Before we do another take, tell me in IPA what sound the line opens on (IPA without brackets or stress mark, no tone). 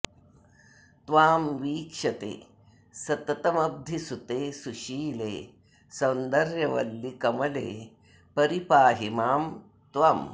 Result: t̪